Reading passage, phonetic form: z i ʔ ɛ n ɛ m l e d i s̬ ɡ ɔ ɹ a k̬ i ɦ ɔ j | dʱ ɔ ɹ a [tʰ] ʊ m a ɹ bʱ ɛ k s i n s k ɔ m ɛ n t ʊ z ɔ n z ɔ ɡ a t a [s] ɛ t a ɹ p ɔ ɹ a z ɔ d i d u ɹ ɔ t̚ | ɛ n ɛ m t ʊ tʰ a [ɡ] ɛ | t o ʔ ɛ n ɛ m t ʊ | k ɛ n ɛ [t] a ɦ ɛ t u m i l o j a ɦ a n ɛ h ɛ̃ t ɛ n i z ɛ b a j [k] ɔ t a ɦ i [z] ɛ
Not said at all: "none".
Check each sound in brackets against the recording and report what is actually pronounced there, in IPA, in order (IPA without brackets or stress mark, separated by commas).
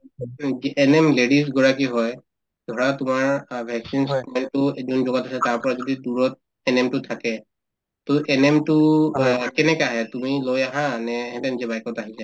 t, s, k, k, k, s